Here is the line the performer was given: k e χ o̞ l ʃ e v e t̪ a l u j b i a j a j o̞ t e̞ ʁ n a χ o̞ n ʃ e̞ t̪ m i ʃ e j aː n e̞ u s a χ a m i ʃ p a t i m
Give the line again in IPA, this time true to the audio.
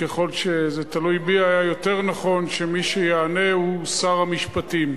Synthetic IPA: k e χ o̞ l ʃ e z e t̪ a l u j b i a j a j o̞ t e̞ ʁ n a χ o̞ n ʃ e̞ m i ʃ e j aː n e̞ u s a ʁ a m i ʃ p a t i m